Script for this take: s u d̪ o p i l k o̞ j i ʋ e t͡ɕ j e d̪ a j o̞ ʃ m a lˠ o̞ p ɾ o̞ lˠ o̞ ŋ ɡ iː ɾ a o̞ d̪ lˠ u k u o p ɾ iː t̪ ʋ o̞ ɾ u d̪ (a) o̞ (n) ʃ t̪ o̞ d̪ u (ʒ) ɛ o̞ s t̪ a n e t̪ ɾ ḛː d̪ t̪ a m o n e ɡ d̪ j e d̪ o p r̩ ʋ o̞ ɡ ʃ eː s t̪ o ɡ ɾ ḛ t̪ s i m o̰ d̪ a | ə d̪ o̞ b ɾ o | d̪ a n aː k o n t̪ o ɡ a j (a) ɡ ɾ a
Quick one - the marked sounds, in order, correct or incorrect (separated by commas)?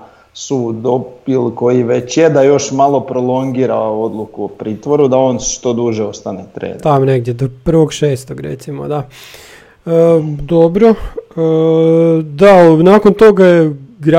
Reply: correct, correct, correct, incorrect